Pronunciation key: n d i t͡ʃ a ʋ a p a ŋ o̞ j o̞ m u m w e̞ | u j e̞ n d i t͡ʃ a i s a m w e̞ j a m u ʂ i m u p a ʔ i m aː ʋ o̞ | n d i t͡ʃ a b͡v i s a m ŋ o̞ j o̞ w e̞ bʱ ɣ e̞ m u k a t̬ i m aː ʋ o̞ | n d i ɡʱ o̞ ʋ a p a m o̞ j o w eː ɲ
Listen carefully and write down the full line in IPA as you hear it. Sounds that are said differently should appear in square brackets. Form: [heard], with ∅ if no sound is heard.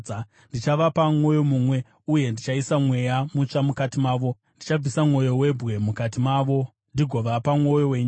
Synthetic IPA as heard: n d i t͡ʃ a ʋ a p a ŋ o̞ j o̞ m u m w e̞ | u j e̞ n d i t͡ʃ a i s a m w e̞ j a m u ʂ [a] m u [k] a [t] i m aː ʋ o̞ | n d i t͡ʃ a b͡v i s a m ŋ o̞ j o̞ w e̞ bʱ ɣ e̞ m u k a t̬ i m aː ʋ o̞ | n d i ɡʱ o̞ ʋ a p a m o̞ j o w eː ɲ